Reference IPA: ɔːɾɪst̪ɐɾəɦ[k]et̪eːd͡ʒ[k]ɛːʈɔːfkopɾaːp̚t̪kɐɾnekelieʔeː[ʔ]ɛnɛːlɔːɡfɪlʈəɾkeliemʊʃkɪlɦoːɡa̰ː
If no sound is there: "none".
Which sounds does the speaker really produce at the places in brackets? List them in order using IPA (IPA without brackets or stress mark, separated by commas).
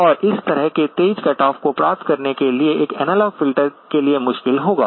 k, k, k